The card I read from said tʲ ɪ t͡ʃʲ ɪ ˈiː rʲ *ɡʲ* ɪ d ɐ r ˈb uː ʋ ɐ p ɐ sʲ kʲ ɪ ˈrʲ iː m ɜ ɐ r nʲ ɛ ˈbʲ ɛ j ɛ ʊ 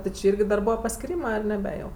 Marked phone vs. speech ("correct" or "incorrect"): correct